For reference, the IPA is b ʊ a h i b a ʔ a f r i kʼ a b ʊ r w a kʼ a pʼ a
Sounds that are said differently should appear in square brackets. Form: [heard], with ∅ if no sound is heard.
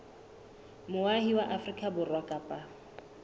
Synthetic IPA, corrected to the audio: [m] ʊ a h i [w] a ʔ a f r i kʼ a b ʊ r w a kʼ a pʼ a